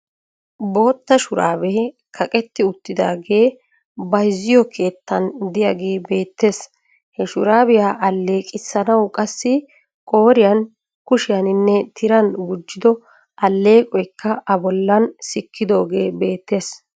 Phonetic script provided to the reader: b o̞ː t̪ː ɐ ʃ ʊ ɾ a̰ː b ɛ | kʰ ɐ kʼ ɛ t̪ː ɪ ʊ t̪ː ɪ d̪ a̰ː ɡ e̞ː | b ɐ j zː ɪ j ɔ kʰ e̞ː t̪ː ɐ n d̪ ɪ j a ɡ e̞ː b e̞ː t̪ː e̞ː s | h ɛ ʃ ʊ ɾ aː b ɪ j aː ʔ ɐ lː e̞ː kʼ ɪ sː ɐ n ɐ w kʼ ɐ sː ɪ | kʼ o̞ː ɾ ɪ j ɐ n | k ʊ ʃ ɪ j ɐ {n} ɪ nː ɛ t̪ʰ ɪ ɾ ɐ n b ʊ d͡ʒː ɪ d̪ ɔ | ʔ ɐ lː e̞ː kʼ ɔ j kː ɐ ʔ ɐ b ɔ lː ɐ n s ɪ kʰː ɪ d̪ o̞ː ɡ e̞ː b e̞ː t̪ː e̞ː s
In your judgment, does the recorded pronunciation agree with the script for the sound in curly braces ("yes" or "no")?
yes